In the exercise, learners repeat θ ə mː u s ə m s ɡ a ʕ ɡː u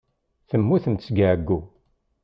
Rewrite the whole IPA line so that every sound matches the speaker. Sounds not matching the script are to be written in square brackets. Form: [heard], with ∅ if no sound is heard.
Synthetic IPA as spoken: θ ə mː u [θ] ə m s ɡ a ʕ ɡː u